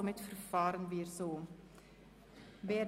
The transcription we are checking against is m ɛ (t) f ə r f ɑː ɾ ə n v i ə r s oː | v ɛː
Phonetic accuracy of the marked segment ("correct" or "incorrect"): correct